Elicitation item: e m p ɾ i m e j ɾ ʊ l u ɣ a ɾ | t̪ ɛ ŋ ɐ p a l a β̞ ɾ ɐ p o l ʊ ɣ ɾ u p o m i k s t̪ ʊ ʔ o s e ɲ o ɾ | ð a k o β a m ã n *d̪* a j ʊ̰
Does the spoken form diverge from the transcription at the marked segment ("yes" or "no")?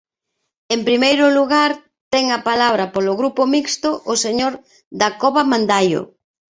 no